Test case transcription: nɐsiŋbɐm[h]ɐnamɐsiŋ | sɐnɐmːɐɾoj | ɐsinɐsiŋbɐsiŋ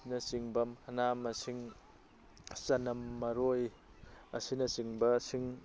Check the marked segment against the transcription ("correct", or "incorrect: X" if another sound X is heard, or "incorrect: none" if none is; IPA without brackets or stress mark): correct